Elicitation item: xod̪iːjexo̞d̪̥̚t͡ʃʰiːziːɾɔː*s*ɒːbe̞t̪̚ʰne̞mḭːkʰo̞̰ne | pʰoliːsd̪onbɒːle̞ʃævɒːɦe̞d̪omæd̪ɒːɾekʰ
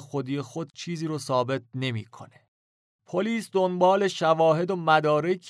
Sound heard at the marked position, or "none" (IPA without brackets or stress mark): s